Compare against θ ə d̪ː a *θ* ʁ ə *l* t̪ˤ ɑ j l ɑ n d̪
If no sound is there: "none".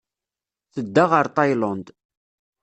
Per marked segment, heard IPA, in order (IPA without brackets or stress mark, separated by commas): none, ɾ